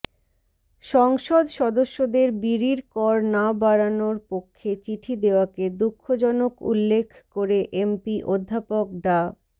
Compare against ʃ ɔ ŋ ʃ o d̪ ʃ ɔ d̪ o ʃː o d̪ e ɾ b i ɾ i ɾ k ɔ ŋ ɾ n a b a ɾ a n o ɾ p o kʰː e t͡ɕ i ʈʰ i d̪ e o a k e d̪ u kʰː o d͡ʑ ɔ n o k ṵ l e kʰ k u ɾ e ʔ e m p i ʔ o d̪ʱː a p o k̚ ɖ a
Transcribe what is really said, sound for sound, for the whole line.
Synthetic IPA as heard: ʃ ɔ ŋ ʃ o d̪ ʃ ɔ d̪ o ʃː o d̪ e ɾ b i ɾ i ɾ k ɔ ɾ n a b a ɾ a n o ɾ p o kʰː e t͡ɕ i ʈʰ i d̪ e o a k e d̪ u kʰː o d͡ʑ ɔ n o k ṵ lː e kʰ k o ɾ e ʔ e m p i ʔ o d̪ʱː a p o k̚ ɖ a

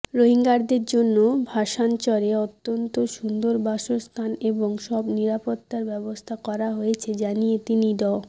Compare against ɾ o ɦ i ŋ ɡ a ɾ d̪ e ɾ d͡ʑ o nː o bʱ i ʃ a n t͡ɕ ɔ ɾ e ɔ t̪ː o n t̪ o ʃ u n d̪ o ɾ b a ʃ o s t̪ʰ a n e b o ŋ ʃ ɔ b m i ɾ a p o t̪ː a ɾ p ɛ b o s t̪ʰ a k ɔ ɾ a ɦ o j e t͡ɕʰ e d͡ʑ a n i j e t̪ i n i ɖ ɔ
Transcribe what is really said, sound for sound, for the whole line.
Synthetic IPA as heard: ɾ o ɦ i ŋ ɡ a ɾ d̪ e ɾ d͡ʑ o nː o bʱ a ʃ a n t͡ɕ ɔ ɾ e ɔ t̪ː o n t̪ o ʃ u n d̪ o ɾ b a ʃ o s t̪ʰ a n e b o ŋ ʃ ɔ b n i ɾ a p o t̪ː a ɾ b ɛ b o s t̪ʰ a k ɔ ɾ a ɦ o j e t͡ɕʰ e d͡ʑ a n i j e t̪ i n i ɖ ɔ

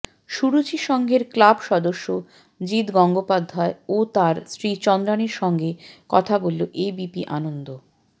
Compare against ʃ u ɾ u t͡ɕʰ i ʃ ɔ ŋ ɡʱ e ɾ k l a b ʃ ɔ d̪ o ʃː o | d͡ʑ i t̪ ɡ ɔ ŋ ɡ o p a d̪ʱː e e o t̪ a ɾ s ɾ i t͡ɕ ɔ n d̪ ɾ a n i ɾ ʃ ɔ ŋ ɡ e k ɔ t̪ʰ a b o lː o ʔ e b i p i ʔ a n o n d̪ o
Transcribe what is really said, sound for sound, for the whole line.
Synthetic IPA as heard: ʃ u ɾ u t͡ɕ i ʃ ɔ ŋ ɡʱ e ɾ k l a b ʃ ɔ d̪ o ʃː o | d͡ʑ i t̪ ɡ ɔ ŋ ɡ o p a d̪ʱː a e o t̪ a ɾ s ɾ i t͡ɕ ɔ n d̪ ɾ a n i ɾ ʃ ɔ ŋ ɡ e k ɔ t̪ʰ a b o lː o ʔ e b i p i ʔ a n o n d̪ o

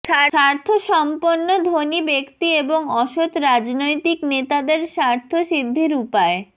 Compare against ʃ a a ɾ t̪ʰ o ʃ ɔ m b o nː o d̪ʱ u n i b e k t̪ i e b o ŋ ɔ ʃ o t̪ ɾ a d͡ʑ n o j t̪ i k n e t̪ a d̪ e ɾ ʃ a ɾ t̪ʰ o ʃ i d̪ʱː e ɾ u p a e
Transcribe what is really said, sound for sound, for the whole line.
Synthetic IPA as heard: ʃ a a ɾ t̪ʰ o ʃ ɔ m p o nː o d̪ʱ o n i b e k t̪ i e b o ŋ ɔ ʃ o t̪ ɾ a d͡ʑ n o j t̪ i k n e t̪ a d̪ e ɾ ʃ a ɾ t̪ʰ o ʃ i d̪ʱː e ɾ u p a e

